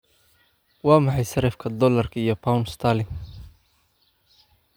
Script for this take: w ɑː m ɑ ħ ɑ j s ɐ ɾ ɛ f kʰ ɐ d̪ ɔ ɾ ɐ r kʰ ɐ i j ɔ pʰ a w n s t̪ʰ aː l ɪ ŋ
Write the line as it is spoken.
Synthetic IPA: w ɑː m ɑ ħ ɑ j s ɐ ɾ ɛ f kʰ ɐ d̪ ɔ l ɐ r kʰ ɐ i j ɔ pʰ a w n s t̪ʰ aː l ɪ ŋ